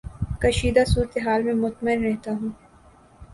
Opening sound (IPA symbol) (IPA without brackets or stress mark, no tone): k